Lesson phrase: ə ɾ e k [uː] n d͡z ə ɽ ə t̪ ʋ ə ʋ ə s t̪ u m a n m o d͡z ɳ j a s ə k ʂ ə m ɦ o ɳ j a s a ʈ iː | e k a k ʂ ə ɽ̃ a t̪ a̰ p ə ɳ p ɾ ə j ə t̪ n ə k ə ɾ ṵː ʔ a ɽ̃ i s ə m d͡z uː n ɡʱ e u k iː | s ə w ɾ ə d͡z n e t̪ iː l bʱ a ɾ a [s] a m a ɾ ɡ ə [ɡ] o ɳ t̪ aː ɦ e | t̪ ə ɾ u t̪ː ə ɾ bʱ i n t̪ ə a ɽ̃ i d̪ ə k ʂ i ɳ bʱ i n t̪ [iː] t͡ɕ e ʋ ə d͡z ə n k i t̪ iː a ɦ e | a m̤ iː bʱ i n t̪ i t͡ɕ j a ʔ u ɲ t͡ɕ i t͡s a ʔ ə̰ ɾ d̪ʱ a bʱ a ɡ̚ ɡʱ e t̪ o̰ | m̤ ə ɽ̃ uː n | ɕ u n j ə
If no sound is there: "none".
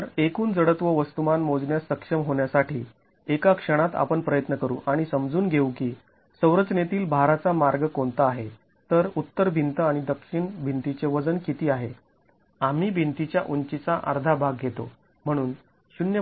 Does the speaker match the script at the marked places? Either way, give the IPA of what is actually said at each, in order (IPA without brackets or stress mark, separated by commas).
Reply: uː, t͡s, k, i